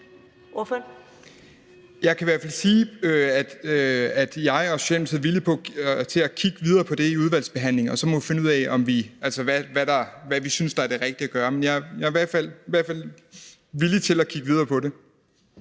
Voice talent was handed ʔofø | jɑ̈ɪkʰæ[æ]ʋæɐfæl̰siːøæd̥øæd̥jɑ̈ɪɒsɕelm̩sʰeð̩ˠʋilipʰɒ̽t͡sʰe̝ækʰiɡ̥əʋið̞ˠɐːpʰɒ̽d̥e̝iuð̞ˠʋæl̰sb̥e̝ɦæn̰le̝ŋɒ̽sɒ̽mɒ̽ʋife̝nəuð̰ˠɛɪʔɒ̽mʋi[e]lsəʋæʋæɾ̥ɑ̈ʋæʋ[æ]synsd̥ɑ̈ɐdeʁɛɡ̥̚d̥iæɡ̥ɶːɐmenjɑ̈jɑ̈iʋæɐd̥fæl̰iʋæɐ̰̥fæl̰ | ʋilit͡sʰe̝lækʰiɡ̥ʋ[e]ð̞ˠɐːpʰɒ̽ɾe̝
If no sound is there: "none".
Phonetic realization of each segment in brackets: i, æ, i, i

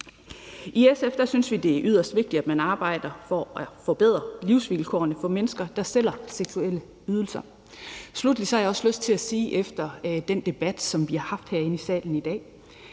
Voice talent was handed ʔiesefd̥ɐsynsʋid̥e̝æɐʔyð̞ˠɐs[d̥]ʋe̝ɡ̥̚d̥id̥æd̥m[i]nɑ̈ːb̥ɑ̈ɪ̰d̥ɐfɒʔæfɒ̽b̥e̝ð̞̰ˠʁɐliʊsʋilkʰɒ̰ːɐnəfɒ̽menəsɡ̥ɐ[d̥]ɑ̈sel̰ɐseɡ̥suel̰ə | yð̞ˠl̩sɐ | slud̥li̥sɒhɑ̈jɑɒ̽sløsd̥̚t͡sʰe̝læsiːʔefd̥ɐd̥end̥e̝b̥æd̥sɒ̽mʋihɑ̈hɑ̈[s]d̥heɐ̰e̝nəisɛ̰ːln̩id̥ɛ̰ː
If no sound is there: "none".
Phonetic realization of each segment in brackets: d̥, æ, d̥, f

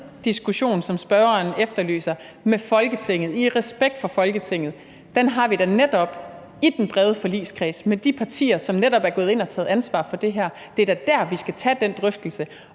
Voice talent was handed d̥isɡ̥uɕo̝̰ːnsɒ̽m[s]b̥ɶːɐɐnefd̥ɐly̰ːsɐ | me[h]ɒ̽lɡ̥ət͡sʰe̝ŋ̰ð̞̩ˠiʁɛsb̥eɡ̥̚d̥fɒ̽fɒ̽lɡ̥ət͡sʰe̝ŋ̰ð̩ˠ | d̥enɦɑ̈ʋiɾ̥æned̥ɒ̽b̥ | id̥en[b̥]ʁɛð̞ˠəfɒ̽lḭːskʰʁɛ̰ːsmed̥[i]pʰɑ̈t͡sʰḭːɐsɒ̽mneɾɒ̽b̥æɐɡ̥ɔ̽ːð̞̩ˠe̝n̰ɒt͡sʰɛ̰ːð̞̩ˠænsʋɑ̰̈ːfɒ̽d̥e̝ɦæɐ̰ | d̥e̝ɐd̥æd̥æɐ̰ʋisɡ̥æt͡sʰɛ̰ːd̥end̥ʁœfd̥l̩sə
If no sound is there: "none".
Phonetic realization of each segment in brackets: s, f, b̥, i

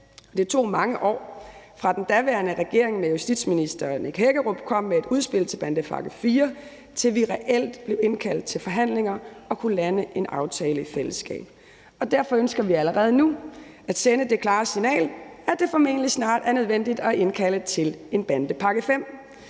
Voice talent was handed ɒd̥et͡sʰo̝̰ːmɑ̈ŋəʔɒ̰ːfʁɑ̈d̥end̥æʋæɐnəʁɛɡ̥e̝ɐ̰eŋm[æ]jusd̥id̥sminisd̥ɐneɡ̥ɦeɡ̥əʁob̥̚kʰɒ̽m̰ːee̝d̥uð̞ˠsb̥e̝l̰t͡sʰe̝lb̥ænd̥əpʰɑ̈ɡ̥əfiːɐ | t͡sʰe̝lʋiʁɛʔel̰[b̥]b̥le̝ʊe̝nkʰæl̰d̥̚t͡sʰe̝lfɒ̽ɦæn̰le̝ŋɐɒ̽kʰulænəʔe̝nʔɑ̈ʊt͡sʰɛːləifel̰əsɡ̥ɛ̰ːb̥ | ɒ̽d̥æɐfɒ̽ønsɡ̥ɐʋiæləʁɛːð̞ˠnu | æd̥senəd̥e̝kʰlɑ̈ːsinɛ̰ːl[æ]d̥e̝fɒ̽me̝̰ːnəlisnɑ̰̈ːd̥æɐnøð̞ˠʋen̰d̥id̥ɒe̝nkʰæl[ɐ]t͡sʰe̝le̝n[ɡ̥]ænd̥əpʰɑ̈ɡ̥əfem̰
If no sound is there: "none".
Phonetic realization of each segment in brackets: e, d̥, æ, ə, b̥

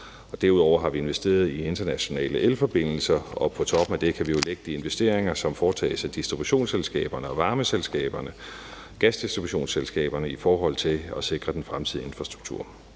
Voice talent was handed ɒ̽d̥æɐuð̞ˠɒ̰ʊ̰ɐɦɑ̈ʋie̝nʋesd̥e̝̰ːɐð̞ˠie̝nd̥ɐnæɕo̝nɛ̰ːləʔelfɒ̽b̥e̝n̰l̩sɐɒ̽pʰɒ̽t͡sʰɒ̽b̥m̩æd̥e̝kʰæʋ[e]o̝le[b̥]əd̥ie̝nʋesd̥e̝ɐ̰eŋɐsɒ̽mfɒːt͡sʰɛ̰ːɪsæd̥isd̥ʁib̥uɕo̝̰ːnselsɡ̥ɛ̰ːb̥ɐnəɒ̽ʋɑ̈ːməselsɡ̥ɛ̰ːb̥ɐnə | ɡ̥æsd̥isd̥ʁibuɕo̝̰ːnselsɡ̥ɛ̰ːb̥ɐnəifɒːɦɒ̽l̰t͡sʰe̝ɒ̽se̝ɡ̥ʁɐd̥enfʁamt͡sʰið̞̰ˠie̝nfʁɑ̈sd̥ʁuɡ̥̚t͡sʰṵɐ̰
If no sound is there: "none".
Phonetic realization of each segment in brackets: i, ɡ̥

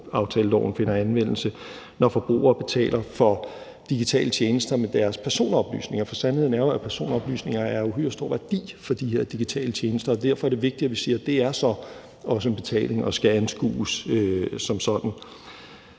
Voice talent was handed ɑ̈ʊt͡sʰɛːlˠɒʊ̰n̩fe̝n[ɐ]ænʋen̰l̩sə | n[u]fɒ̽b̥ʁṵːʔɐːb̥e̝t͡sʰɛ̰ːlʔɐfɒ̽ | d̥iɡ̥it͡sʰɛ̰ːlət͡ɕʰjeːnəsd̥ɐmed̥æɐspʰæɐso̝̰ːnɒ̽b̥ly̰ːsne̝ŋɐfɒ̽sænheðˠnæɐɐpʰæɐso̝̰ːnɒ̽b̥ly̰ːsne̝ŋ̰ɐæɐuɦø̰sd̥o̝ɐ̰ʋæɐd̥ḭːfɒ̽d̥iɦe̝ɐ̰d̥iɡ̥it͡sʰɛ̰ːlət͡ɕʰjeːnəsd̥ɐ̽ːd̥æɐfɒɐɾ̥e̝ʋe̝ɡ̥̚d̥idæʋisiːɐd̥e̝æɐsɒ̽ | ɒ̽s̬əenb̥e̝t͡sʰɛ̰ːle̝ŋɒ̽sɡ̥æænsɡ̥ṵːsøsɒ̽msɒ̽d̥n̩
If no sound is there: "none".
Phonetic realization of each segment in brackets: ɐ, ɒ

